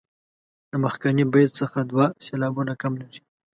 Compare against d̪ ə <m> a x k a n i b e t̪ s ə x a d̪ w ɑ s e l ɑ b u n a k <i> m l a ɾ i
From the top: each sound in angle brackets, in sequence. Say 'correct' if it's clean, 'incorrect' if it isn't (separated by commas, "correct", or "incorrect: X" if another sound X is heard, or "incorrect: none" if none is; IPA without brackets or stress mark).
correct, incorrect: a